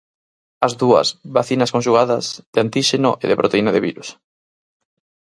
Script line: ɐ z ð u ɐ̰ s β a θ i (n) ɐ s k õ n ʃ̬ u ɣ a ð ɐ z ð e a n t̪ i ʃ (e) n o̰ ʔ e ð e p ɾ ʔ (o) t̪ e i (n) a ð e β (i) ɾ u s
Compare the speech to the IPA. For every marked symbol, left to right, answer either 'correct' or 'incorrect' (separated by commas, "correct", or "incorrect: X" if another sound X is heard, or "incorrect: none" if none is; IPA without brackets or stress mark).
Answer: correct, correct, correct, correct, correct